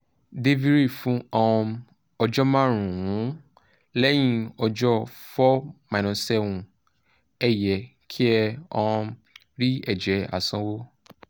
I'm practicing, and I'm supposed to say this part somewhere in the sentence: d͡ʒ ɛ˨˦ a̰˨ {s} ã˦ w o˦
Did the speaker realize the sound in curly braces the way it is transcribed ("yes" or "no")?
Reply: yes